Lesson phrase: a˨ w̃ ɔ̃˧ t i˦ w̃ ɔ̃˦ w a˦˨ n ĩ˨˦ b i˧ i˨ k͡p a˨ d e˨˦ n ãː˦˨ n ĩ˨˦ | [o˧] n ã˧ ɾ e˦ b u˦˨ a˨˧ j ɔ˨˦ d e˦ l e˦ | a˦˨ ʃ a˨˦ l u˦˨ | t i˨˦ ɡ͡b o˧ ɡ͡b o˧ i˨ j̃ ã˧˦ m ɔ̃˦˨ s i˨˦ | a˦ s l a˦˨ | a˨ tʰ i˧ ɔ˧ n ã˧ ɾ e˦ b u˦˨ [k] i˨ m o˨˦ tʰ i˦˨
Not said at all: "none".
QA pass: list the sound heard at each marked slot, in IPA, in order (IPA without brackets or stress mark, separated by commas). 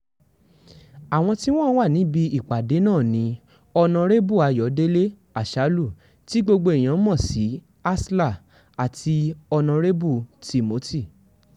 ɔ˧, t